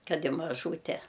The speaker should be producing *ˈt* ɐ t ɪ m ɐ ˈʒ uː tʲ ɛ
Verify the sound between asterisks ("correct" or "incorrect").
incorrect